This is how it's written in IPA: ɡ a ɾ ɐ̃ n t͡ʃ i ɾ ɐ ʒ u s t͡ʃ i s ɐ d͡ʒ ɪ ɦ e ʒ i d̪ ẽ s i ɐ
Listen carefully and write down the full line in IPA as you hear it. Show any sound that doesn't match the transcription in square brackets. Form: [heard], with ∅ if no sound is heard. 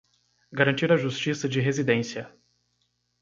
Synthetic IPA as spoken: ɡ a ɾ ɐ̃ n t͡ʃ i ɾ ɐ ʒ u s t͡ʃ i s ɐ d͡ʒ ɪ ɦ e [z] i d̪ ẽ s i ɐ